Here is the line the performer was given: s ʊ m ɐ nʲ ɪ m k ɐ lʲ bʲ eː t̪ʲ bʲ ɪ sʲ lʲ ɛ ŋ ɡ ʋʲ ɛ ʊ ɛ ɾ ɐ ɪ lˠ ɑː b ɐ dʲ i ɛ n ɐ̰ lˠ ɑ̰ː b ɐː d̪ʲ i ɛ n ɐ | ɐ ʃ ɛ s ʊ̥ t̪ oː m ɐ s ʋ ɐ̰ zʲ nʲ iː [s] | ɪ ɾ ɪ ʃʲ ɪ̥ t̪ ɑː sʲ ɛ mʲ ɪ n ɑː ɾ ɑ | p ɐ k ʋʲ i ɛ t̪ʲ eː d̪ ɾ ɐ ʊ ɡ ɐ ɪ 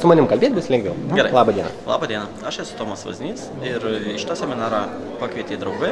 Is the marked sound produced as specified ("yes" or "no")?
yes